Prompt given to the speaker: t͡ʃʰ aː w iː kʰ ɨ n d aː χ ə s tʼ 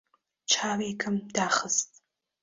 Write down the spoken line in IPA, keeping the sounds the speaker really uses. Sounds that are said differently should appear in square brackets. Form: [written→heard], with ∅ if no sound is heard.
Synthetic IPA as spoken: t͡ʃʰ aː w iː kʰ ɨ [n→m] d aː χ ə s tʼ